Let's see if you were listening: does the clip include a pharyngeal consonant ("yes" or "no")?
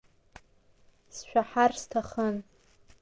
yes